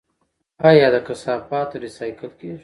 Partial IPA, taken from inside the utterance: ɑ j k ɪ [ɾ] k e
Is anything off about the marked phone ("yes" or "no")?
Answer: yes